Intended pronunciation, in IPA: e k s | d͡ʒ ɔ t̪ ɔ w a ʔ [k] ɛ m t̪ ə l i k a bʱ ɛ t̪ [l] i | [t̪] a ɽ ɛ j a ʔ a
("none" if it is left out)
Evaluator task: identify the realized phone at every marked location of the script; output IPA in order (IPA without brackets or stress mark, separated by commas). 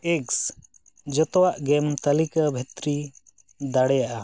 ɡ, ɾ, d̪